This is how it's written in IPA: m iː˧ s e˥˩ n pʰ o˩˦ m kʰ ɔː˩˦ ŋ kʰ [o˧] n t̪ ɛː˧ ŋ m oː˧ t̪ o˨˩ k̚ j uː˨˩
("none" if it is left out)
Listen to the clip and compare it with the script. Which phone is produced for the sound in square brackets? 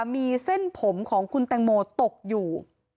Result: u˧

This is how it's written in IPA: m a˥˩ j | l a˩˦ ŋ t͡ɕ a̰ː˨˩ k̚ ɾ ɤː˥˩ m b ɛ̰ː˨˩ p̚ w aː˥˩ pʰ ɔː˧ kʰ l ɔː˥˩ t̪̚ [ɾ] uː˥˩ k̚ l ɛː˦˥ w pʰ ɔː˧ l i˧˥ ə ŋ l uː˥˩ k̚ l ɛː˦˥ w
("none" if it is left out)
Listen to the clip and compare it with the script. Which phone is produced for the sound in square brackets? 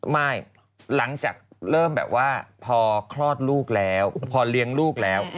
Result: l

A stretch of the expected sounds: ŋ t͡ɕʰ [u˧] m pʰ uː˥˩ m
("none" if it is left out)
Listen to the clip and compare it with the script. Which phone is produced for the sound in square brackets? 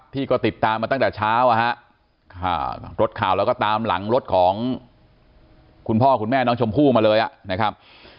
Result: o˧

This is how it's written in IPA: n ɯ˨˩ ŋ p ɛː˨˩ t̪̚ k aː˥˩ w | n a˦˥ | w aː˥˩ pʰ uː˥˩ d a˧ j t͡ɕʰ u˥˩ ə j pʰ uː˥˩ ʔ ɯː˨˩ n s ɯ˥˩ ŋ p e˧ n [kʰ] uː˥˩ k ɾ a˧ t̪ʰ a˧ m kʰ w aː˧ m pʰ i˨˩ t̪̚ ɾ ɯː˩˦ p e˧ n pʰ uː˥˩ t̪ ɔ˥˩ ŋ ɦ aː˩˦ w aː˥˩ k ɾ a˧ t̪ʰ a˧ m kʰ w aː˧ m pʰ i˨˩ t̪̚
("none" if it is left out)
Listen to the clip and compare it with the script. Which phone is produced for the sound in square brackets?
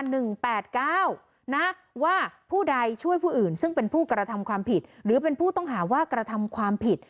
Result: pʰ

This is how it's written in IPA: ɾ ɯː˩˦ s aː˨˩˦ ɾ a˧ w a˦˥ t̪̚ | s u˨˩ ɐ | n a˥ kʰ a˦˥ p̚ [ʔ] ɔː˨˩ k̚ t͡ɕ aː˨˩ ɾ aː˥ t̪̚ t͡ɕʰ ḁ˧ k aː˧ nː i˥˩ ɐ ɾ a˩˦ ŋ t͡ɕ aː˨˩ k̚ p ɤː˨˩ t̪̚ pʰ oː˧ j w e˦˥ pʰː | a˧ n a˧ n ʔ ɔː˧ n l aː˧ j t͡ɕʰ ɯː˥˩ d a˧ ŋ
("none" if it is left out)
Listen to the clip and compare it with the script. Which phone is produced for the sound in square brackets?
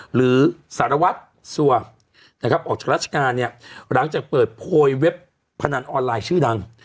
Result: ʔ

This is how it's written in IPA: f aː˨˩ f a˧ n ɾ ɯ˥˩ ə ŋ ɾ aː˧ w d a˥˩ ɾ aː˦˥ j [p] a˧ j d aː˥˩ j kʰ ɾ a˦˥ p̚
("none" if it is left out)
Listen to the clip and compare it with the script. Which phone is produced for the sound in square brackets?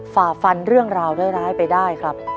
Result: p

